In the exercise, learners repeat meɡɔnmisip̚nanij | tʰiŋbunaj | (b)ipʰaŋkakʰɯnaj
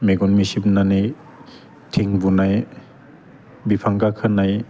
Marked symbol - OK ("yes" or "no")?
yes